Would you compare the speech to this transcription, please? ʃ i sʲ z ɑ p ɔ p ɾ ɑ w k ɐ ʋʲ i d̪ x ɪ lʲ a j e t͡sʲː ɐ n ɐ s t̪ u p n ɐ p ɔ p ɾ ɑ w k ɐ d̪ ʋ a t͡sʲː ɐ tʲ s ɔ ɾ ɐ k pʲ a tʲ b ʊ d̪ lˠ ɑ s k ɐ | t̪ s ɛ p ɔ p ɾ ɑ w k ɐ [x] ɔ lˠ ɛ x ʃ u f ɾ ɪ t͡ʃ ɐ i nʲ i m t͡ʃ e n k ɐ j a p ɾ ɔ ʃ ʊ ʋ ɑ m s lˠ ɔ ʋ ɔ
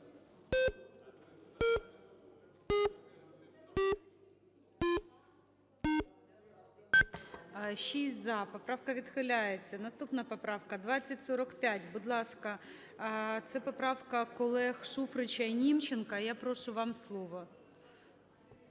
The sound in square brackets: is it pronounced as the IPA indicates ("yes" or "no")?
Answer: no